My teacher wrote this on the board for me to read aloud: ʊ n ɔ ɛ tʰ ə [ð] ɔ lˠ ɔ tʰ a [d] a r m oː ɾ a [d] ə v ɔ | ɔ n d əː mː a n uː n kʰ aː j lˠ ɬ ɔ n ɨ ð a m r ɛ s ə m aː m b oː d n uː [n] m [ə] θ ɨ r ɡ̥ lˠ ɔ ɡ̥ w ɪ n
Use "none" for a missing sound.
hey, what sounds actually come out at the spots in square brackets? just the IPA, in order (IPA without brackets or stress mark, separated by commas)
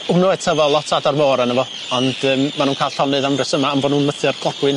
v, d, n, n, ə